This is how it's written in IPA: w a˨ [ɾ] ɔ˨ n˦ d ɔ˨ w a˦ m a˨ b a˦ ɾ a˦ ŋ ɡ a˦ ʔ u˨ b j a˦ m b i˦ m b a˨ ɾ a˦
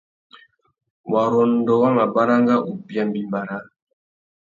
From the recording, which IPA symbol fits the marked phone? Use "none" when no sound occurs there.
ɾ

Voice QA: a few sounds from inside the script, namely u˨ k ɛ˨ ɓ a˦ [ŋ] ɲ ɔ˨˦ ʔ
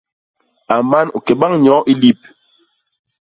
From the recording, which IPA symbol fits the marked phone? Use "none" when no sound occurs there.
ŋ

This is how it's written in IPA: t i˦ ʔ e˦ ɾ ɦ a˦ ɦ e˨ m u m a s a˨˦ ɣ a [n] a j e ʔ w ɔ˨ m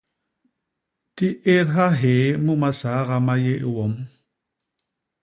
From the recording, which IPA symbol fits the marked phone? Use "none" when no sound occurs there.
m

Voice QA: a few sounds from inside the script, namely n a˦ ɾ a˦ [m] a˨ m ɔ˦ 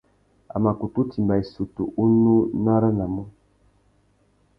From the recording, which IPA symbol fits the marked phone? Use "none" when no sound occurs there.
n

